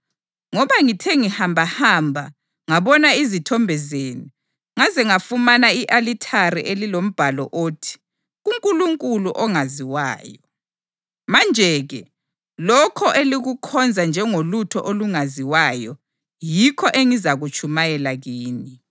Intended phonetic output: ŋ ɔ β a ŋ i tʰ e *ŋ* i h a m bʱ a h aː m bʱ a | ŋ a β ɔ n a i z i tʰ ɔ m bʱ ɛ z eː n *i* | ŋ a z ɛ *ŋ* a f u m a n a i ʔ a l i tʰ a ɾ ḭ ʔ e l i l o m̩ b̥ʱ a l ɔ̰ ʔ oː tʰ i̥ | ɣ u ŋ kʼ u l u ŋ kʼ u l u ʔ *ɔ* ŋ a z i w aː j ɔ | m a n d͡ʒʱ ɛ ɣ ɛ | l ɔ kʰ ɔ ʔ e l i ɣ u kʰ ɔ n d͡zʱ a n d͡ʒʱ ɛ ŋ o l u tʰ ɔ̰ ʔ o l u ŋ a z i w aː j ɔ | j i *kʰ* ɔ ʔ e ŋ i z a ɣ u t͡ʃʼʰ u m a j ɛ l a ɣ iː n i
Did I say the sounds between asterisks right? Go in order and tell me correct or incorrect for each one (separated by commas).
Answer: correct, correct, correct, correct, correct